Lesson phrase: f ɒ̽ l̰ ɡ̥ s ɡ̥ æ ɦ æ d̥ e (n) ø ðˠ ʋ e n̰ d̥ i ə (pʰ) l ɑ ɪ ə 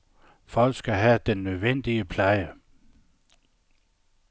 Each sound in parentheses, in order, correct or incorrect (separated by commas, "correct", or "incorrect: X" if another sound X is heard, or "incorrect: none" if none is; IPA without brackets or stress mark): incorrect: nː, correct